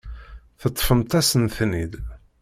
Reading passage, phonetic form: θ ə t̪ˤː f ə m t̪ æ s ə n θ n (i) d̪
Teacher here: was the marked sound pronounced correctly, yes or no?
yes